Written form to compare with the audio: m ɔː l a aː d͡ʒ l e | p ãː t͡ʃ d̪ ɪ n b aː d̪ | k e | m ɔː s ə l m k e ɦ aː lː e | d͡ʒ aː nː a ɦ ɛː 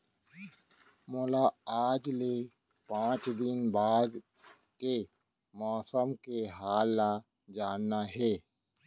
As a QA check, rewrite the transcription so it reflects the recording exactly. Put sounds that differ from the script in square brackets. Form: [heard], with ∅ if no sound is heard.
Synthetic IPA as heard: m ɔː l a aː d͡ʒ l e | p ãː t͡ʃ d̪ ɪ n b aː d̪ | k e | m ɔː s ə [∅] m k e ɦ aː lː [a] | d͡ʒ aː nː a ɦ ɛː